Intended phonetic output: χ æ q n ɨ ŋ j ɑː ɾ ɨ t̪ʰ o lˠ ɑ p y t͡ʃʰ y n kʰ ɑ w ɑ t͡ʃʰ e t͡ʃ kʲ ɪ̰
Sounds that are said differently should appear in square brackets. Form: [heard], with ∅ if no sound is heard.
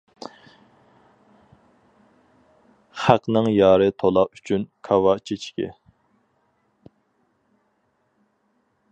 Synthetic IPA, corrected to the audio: χ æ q n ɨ ŋ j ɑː ɾ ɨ t̪ʰ o lˠ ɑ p y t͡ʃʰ y n kʰ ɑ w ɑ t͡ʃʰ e t͡ʃ kʲ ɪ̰